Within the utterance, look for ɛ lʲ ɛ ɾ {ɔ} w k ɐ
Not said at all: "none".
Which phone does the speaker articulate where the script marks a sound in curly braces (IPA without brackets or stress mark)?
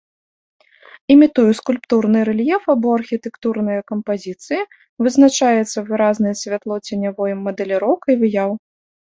ɔ